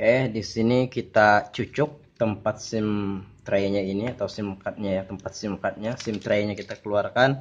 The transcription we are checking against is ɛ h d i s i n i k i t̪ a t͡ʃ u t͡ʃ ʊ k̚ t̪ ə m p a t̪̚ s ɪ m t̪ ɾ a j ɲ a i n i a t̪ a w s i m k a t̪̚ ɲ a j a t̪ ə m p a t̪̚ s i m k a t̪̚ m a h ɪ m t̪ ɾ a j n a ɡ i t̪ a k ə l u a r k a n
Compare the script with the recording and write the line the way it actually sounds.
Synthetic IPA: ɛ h d i s i n i k i t̪ a t͡ʃ u t͡ʃ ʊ k̚ t̪ ə m p a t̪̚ s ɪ m t̪ ɾ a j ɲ a i n i a t̪ a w s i m k a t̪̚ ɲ a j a t̪ ə m p a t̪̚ s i m k a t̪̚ ɲ a s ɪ m t̪ ɾ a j ɲ a k i t̪ a k ə l u a r k a n